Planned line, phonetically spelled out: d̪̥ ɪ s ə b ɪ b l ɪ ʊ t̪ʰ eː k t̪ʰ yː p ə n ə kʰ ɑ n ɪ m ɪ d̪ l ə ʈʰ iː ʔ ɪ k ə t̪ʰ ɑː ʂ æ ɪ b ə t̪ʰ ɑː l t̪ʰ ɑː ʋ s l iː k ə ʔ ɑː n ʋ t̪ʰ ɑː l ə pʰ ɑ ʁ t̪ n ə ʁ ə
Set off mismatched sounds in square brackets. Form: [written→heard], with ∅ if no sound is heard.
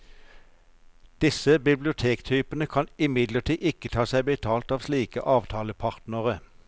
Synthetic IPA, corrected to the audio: d̪̥ ɪ s ə b ɪ b l ɪ ʊ t̪ʰ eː k t̪ʰ yː p ə n ə kʰ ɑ n ɪ m ɪ d̪ l ə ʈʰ iː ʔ ɪ k ə t̪ʰ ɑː [ʂ→s] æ ɪ b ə t̪ʰ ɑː l [t̪ʰ→t̪] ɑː ʋ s l iː k ə ʔ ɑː [n→∅] ʋ t̪ʰ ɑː l ə pʰ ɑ ʁ t̪ n ə ʁ ə